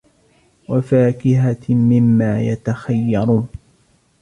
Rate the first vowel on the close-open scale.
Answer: open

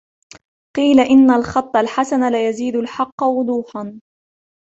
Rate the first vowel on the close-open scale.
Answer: close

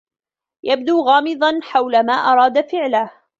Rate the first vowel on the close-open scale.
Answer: open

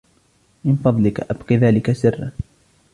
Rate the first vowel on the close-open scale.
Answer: close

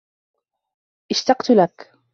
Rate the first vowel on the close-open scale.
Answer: close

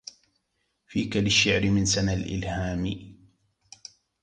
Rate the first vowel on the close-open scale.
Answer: close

